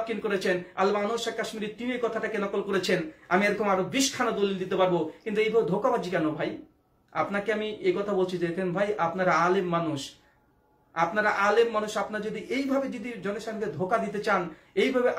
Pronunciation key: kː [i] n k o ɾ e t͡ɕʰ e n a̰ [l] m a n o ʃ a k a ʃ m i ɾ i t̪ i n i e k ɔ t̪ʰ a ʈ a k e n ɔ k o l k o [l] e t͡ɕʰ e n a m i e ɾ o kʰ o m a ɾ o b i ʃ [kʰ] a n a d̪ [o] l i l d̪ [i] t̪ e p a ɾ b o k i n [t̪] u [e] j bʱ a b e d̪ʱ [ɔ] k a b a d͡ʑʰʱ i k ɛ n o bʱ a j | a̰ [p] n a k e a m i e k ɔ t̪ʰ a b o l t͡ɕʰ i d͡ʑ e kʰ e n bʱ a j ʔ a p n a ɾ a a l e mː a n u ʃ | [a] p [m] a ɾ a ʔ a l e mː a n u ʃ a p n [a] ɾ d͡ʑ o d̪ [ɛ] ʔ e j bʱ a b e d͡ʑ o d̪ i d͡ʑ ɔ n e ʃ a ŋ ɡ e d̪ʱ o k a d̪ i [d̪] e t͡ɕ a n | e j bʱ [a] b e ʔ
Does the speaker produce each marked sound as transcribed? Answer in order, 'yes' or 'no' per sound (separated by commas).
yes, yes, no, yes, yes, yes, yes, yes, no, yes, yes, no, yes, no, no, yes